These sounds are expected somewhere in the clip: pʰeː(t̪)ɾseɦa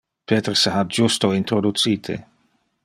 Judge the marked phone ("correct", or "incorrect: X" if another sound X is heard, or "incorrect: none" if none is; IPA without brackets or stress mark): correct